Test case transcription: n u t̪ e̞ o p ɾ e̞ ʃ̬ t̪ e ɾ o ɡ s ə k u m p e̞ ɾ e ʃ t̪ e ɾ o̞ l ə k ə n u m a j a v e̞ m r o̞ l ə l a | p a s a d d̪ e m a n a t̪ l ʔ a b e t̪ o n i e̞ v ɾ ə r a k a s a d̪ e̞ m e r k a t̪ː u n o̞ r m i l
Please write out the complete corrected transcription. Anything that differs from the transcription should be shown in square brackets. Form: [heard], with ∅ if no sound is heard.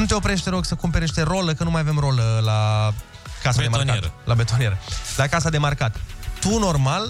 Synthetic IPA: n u t̪ e̞ o p ɾ e̞ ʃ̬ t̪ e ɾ o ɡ s ə k u m p e̞ ɾ e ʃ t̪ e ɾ o̞ l ə k ə n u m a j a v e̞ m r o̞ l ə l a | [k] a s a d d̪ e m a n a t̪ l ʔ a b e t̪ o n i e̞ [∅] ɾ ə [l] a k a s a d̪ e̞ m [a] r k a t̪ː u n o̞ r m [a] l